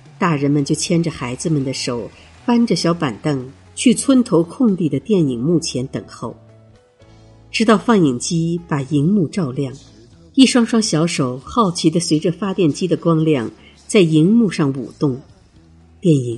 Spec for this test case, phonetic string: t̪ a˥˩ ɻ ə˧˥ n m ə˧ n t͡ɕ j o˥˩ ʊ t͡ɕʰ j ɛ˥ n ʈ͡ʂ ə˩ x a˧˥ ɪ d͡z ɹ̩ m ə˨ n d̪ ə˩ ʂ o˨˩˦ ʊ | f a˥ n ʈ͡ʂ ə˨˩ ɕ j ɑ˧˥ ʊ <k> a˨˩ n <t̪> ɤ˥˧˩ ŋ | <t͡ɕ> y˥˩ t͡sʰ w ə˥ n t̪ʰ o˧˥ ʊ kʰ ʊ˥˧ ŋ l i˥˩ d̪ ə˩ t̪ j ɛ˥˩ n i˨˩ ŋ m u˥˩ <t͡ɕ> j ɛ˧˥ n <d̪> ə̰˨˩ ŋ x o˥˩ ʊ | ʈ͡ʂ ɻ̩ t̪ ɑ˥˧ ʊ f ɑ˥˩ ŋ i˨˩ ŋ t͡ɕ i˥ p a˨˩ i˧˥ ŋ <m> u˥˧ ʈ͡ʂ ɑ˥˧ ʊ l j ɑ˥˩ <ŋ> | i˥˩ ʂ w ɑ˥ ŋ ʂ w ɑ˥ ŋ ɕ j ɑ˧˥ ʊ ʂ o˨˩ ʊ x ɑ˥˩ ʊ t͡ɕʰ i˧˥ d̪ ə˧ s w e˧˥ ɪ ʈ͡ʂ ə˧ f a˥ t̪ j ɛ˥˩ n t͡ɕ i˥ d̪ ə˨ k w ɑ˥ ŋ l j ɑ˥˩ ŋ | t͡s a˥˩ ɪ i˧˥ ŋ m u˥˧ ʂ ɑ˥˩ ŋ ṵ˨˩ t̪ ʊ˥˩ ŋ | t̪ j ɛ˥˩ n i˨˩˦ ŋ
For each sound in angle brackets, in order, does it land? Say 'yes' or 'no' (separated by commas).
no, yes, no, no, no, yes, yes